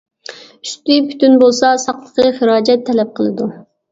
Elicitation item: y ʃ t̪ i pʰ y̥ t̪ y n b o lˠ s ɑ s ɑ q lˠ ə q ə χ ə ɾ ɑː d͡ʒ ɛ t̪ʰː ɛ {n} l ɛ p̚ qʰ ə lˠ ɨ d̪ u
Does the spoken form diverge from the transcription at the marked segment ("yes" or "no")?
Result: yes